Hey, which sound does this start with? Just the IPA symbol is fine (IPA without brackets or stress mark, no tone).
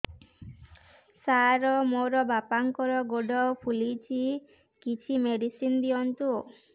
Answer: s